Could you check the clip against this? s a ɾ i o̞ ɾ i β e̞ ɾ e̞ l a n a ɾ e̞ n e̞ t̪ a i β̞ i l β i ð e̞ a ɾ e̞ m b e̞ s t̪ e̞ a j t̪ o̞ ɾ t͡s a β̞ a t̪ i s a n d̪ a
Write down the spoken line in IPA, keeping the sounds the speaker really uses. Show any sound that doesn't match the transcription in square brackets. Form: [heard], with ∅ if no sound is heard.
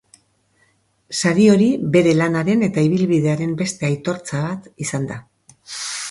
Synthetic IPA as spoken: s a ɾ i o̞ ɾ i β e̞ ɾ e̞ l a n a ɾ e̞ n e̞ t̪ a i β̞ i l β i ð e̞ a ɾ e̞ m b e̞ s t̪ e̞ a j t̪ o̞ ɾ t͡s a β̞ a t̪ i s a n d̪ a

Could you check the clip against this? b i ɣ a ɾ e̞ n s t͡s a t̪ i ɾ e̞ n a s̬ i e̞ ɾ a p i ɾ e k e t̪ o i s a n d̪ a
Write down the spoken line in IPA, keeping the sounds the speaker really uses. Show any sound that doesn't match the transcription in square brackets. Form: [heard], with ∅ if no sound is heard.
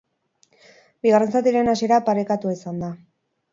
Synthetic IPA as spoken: b i ɣ a [r] e̞ n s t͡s a t̪ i ɾ e̞ n a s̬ i e̞ ɾ a p [a] ɾ e k [a] t̪ [u] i s a n d̪ a

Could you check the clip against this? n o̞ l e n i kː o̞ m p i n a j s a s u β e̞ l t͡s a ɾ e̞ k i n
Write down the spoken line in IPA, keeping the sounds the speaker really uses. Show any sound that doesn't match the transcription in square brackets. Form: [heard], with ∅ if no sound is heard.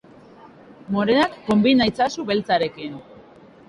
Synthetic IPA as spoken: [m] o̞ [ɾ] e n [a] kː o̞ m [b] i n a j [t͡s] a s u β e̞ l t͡s a ɾ e̞ k i n

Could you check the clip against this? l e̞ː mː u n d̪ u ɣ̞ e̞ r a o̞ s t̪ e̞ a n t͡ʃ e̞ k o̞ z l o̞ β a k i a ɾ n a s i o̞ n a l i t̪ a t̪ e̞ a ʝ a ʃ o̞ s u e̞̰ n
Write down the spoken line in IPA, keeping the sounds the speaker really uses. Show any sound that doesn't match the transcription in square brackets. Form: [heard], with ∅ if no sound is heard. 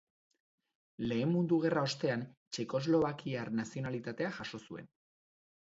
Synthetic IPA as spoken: l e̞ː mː u n d̪ u ɣ̞ e̞ r a o̞ s t̪ e̞ a n t͡ʃ e̞ k o̞ z l o̞ β a k i a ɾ n a s i o̞ n a l i t̪ a t̪ e̞ a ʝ a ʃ o̞ s u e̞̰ n

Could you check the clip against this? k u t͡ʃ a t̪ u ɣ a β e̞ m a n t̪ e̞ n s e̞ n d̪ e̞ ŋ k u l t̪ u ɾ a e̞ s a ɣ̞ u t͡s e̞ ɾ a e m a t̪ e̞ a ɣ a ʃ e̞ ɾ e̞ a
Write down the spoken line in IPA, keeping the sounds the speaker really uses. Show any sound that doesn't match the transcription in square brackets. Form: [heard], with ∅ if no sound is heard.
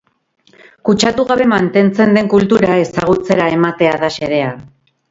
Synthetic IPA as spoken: k u t͡ʃ a t̪ u ɣ a β e̞ m a n t̪ e̞ n [t͡s] e̞ n d̪ e̞ ŋ k u l t̪ u ɾ a e̞ s a ɣ̞ u t͡s e̞ ɾ a e m a t̪ e̞ a [ð] a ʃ e̞ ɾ e̞ a

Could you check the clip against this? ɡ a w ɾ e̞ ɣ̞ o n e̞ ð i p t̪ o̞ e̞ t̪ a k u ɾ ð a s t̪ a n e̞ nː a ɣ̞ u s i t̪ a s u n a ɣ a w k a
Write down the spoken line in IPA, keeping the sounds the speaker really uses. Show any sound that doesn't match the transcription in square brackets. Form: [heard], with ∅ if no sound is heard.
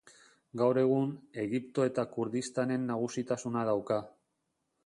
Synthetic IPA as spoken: ɡ a w ɾ e̞ ɣ̞ [u] n e̞ [ɣ] i p t̪ o̞ e̞ t̪ a k u ɾ ð [i] s t̪ a n e̞ nː a ɣ̞ u s i t̪ a s u n a [ð] a w k a

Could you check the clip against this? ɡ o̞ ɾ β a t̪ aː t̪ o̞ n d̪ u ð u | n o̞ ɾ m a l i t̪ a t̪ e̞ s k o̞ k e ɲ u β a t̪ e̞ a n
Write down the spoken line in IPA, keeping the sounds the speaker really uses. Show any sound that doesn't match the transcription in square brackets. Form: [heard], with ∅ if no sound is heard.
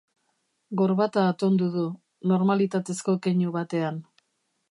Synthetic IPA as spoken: ɡ o̞ ɾ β a t̪ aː t̪ o̞ n d̪ u ð u | n o̞ ɾ m a l i t̪ a t̪ e̞ s k o̞ k e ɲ u β a t̪ e̞ a n

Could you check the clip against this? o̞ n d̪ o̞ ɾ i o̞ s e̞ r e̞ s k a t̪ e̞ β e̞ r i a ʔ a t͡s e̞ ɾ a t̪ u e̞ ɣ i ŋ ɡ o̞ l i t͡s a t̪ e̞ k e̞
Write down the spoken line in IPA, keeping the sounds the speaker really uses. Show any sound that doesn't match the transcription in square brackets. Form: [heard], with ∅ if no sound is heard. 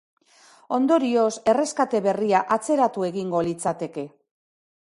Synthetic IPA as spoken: o̞ n d̪ o̞ ɾ i o̞ s e̞ r e̞ s k a t̪ e̞ β e̞ r i a ʔ a t͡s e̞ ɾ a t̪ u e̞ ɣ i ŋ ɡ o̞ l i t͡s a t̪ e̞ k e̞

